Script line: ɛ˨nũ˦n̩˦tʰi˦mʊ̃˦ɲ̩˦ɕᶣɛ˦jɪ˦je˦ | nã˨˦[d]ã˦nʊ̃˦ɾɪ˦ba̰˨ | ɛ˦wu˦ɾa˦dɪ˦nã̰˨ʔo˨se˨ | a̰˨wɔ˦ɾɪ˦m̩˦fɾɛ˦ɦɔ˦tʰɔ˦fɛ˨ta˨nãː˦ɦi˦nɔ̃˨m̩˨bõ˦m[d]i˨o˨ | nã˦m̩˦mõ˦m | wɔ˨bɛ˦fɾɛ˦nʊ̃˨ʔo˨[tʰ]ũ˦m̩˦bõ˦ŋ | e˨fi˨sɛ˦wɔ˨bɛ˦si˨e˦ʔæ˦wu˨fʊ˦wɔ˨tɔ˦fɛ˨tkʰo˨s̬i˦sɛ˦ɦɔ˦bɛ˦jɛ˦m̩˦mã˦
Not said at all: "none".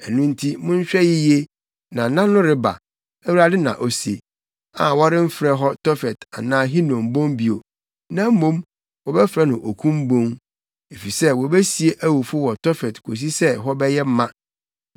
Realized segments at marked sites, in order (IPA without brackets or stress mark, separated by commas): n, b, kʰ